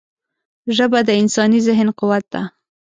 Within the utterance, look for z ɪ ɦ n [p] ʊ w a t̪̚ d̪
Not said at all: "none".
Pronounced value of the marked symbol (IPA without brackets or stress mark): q